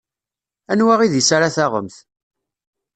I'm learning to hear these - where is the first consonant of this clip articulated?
tongue tip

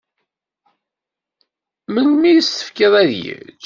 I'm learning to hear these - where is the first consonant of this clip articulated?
lips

